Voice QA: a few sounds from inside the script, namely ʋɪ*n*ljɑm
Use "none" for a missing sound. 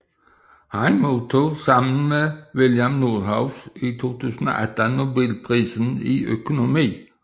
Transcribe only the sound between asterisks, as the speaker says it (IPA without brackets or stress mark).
none